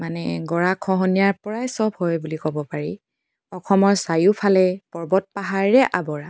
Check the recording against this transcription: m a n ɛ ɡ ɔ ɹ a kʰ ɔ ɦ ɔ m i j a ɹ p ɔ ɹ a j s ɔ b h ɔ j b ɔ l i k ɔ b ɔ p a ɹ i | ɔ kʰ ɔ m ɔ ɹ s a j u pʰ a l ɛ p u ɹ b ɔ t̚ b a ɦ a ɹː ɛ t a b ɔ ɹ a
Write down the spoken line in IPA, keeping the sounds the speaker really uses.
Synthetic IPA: m a n ɛ ɡ ɔ ɹ a kʰ ɔ ɦ ɔ n i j a ɹ p ɔ ɹ a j s ɔ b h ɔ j b u l i k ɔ b ɔ p a ɹ i | ɔ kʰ ɔ m ɔ ɹ s a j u pʰ a l ɛ p ɔ ɹ b ɔ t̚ p a ɦ a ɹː ɛ ʔ a b ɔ ɹ a